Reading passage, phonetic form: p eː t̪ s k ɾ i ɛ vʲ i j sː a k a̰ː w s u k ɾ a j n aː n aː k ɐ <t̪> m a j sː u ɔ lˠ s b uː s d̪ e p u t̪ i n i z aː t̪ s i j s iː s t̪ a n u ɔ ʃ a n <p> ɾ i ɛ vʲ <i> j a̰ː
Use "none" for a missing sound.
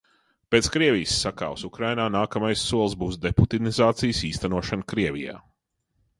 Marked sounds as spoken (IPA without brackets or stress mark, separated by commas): none, k, i